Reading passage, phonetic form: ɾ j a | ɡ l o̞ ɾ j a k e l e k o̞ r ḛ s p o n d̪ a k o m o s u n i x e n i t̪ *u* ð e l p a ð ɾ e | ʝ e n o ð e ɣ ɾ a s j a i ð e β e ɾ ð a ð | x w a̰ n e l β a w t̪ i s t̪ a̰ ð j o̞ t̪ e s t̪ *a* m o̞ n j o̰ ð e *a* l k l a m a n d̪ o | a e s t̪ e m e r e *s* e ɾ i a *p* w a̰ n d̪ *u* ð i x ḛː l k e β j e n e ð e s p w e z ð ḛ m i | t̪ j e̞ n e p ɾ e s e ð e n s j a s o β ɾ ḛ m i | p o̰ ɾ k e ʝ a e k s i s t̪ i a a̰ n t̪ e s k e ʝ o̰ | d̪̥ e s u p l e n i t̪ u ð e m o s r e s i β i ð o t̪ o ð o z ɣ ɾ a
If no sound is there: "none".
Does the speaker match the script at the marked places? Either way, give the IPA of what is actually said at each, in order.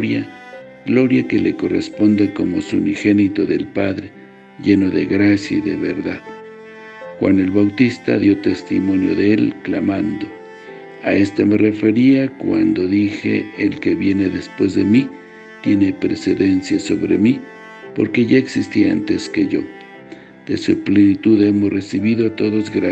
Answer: o, i, e, f, k, o

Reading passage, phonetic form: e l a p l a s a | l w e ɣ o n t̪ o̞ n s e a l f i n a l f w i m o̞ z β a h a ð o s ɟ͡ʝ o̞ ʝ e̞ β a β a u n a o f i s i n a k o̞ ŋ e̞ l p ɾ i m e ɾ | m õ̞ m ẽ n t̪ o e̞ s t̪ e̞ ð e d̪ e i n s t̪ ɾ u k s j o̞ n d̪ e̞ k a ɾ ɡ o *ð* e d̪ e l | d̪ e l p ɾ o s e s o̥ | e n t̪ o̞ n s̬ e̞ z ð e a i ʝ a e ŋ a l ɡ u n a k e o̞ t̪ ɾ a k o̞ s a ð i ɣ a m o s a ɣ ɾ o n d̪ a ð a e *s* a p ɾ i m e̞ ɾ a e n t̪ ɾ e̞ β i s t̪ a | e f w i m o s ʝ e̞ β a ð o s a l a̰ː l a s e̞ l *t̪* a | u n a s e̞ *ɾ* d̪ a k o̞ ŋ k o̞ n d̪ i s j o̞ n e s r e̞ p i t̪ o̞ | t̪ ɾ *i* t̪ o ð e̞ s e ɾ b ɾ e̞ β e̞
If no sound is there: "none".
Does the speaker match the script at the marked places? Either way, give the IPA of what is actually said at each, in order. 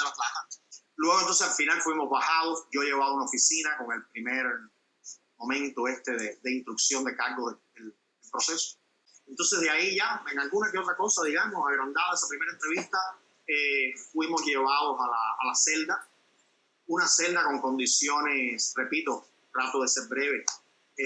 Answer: ð, s, d̪, l, a

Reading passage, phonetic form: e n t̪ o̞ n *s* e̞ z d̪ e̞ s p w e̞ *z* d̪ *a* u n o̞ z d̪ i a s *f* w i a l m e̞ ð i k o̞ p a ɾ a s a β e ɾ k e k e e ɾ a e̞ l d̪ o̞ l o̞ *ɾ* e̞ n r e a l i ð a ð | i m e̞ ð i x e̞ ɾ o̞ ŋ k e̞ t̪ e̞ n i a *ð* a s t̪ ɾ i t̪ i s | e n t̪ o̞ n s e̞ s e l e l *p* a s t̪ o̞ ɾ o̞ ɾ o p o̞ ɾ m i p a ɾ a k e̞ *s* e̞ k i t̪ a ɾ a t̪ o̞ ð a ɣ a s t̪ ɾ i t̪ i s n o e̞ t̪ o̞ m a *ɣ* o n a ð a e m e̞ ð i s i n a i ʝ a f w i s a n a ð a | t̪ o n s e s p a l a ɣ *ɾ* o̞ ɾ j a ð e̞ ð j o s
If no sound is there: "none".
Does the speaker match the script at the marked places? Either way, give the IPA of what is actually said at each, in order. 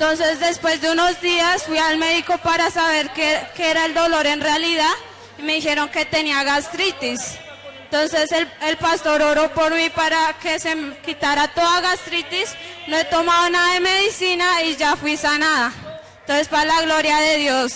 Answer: s, z, e, f, ɾ, ɣ, p, s, ð, l

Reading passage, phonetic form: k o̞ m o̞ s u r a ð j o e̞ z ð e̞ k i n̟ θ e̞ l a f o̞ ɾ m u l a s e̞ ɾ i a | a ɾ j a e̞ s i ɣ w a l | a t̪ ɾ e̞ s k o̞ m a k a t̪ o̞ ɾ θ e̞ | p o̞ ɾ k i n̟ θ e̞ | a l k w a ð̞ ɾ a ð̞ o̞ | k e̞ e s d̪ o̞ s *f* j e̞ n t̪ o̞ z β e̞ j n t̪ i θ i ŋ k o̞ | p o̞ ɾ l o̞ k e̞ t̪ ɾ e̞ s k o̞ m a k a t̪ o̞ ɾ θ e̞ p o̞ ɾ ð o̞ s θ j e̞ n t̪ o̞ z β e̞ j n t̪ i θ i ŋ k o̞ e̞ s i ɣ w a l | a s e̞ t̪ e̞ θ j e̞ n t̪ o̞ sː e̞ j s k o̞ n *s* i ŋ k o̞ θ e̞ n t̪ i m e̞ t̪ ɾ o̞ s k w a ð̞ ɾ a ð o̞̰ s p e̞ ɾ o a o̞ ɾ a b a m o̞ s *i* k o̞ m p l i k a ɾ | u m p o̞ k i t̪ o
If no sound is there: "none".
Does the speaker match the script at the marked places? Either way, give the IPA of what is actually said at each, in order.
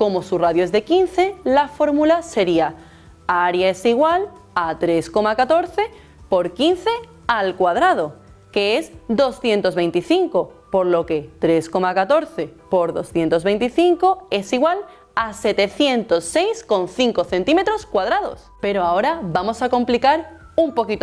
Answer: θ, θ, a

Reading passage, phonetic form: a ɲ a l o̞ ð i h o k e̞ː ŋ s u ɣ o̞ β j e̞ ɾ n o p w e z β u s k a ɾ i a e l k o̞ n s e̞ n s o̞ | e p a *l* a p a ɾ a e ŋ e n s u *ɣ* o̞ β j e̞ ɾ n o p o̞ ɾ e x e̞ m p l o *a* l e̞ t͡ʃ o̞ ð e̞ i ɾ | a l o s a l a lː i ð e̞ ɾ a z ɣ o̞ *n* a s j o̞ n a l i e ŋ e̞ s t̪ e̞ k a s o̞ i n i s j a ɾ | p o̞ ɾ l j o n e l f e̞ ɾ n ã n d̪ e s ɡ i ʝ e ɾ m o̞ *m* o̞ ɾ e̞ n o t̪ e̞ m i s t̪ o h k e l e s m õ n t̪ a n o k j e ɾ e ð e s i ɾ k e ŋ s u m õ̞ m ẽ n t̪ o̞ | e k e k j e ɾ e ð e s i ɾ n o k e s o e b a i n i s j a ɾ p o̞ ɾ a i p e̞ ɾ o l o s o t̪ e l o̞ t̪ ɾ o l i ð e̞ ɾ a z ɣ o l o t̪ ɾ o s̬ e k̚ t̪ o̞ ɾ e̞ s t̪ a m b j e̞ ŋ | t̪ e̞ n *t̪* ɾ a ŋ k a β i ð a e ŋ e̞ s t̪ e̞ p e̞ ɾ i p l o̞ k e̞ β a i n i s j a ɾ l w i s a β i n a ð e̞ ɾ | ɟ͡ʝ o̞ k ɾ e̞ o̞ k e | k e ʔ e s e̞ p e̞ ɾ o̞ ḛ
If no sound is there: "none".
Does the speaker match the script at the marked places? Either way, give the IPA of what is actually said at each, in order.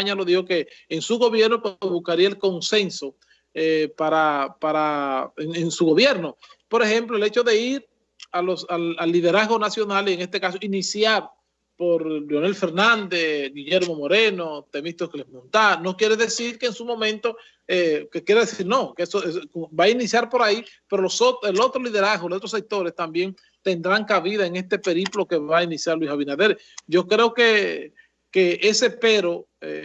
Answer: ɾ, ɣ, e, n, m, d̪

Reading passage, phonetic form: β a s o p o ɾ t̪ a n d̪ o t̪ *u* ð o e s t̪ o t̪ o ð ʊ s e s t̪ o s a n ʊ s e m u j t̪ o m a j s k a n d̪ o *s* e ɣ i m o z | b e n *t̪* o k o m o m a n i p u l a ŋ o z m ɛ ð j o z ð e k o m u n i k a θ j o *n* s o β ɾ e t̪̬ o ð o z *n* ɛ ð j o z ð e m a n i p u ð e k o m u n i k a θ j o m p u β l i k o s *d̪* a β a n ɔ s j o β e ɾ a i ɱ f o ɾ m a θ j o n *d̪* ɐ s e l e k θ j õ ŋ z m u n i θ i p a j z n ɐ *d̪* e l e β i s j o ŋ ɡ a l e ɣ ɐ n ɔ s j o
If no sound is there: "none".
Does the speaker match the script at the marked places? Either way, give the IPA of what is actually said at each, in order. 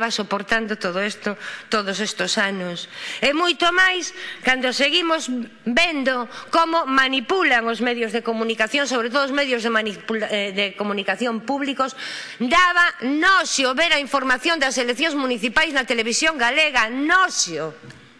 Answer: o, s, d̪, ŋ, m, d̪, d̪, t̪

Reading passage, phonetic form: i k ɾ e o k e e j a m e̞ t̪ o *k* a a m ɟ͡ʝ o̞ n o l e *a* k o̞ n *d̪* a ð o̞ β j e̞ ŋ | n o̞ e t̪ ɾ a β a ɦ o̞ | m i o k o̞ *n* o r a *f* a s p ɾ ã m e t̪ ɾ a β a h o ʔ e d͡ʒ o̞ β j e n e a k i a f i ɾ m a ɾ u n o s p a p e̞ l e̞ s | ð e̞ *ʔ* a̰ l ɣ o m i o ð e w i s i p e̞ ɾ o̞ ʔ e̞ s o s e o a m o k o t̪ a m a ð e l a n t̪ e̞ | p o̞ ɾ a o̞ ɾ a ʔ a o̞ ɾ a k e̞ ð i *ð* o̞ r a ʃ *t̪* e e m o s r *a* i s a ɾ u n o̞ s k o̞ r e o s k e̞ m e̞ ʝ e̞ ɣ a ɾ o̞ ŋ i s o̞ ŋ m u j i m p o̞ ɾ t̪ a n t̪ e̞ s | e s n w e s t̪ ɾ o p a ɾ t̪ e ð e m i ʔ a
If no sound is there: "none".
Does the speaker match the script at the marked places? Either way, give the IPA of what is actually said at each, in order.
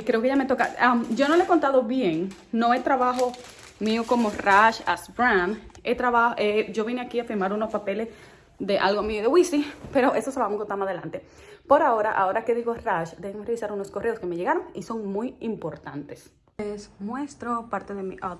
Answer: k, e, t̪, m, ʃ, ʔ, ɣ, d̪, e

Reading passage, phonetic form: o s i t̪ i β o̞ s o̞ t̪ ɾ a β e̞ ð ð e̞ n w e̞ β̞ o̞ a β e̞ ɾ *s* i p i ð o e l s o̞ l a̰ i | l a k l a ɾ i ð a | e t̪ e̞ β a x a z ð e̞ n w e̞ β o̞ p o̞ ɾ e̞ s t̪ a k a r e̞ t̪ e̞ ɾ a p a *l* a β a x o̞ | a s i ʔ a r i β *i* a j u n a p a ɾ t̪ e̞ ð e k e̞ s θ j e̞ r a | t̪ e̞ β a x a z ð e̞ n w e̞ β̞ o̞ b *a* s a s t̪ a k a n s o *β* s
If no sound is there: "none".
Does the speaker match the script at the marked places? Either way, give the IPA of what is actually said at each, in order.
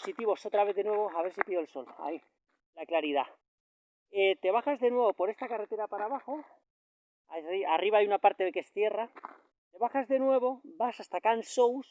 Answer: s, ɾ, a, a, w

